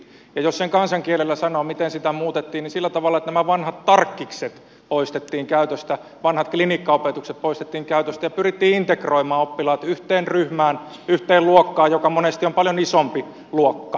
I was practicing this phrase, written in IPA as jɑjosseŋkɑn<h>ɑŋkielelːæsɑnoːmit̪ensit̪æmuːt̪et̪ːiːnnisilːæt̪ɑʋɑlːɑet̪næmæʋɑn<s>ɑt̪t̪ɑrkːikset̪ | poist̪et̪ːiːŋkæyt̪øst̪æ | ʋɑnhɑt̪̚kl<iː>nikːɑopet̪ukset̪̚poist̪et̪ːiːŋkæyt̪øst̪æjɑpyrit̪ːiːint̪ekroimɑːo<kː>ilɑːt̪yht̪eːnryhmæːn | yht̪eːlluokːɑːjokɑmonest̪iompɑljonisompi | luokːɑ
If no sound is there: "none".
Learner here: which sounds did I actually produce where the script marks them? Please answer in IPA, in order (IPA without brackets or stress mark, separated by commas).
s, h, i, pː